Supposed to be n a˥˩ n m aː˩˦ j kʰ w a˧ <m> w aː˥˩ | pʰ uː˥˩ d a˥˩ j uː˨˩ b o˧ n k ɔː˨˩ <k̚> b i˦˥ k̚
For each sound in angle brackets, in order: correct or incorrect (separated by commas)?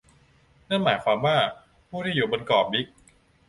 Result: correct, incorrect